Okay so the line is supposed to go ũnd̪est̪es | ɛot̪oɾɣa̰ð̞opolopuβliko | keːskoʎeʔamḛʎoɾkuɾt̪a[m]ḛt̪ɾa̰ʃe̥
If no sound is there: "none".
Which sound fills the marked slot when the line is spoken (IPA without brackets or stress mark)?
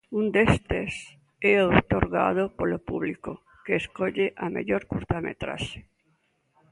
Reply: m